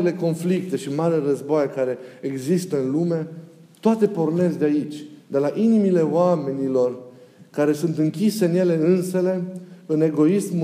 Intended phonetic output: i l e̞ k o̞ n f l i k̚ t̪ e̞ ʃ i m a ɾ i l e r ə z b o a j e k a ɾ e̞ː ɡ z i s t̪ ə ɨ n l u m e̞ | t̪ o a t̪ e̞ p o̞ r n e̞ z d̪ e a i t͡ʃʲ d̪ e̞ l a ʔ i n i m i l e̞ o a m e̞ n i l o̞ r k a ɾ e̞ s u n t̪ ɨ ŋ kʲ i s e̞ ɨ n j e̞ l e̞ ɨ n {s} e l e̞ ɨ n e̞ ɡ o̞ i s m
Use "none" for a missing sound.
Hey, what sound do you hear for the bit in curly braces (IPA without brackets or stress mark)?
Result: s